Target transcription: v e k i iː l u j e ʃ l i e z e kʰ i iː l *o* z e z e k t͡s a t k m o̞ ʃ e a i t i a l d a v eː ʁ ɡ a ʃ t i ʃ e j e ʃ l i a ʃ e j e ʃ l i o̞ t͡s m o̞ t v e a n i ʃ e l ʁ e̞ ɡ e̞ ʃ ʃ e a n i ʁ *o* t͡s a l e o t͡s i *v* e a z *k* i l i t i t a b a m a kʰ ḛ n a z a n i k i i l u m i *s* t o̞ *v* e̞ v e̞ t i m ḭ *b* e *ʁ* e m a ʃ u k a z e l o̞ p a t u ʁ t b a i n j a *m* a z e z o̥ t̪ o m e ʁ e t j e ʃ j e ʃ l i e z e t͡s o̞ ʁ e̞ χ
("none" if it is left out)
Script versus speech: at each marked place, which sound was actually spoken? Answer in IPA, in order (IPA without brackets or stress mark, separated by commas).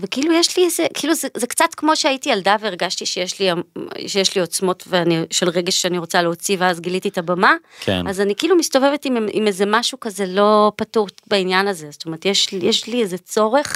u, o, v, ɡ, s, v, m, z, n